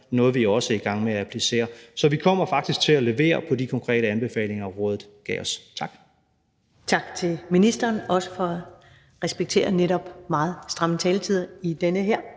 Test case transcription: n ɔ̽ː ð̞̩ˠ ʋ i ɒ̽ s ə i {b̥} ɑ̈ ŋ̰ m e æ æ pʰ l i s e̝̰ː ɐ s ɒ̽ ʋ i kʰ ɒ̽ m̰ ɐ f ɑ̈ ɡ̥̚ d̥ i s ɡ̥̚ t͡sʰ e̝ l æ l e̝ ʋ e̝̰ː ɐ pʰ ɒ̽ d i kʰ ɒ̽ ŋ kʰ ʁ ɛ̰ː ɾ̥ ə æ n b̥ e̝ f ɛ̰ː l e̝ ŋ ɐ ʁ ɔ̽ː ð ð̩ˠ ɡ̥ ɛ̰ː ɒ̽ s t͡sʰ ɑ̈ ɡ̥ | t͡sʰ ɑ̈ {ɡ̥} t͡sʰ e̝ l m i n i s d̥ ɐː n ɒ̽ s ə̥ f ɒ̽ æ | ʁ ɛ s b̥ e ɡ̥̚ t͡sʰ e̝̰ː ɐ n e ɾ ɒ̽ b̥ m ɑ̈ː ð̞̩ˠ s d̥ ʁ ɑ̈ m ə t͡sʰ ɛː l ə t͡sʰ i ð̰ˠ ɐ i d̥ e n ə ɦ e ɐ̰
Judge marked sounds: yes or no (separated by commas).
no, yes